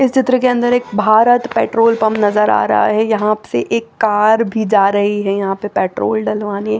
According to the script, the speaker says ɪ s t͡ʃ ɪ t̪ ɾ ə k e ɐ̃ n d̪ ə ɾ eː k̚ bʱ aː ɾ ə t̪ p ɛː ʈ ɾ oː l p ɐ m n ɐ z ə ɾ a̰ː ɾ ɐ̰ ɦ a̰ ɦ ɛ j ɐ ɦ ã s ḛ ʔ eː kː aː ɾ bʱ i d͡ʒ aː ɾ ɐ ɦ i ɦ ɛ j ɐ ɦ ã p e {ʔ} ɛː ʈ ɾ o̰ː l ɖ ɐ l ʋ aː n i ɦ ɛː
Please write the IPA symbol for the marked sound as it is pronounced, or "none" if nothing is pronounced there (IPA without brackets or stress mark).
p